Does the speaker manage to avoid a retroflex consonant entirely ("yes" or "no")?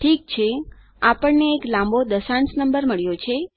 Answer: no